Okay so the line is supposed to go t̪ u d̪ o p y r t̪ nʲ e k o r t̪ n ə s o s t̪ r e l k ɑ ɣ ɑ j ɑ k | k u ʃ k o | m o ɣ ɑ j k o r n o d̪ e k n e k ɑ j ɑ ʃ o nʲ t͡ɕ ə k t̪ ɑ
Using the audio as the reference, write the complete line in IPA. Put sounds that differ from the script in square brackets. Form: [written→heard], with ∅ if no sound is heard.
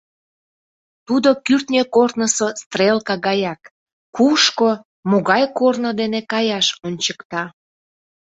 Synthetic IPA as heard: t̪ u d̪ o [p→k] y r t̪ nʲ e k o r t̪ n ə s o s t̪ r e l k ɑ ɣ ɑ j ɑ k | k u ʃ k o | m o ɣ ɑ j k o r n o d̪ e [k→∅] n e k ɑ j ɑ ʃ o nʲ t͡ɕ ə k t̪ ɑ